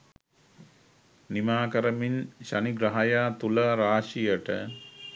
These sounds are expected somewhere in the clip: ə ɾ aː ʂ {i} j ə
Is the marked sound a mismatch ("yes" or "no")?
no